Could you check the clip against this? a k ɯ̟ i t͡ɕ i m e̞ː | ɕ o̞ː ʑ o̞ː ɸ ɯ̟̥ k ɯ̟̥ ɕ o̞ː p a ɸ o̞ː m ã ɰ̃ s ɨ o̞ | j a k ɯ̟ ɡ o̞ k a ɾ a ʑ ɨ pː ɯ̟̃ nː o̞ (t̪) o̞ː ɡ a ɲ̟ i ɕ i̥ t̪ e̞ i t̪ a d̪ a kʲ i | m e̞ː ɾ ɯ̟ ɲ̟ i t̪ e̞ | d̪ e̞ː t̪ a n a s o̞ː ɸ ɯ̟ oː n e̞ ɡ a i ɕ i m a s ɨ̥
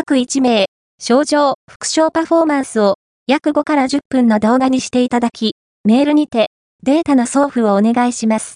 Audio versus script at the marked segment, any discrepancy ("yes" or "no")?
yes